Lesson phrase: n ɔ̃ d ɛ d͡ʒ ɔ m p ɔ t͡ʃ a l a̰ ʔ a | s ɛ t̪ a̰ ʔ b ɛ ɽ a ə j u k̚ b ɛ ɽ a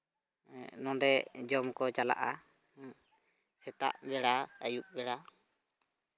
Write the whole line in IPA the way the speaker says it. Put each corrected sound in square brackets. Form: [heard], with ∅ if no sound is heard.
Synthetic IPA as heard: n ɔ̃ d ɛ d͡ʒ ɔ m [k] ɔ t͡ʃ a l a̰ ʔ a | s ɛ t̪ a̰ ʔ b ɛ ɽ a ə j u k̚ b ɛ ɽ a